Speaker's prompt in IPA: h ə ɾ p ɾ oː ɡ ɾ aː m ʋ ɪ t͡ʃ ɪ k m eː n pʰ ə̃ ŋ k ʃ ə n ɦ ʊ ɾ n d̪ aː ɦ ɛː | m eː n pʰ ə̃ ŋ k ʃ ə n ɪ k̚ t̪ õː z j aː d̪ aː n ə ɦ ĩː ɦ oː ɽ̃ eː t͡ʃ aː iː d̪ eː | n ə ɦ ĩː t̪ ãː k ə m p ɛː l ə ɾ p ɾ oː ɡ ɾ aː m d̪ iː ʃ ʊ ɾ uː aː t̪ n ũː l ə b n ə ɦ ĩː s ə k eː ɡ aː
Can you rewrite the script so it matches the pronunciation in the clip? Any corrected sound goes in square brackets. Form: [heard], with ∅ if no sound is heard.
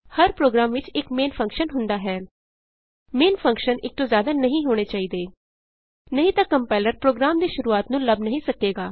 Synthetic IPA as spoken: h ə ɾ p ɾ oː ɡ ɾ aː m ʋ ɪ t͡ʃ ɪ k m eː n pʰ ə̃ ŋ k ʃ ə n ɦ ʊ [∅] n d̪ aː ɦ ɛː | m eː n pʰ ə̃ ŋ k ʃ ə n ɪ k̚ t̪ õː z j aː d̪ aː n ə ɦ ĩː ɦ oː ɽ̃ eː t͡ʃ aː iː d̪ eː | n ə ɦ ĩː t̪ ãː k ə m p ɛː l ə ɾ p ɾ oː ɡ ɾ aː m d̪ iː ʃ ʊ ɾ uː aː t̪ n ũː l ə b n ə ɦ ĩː s ə k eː ɡ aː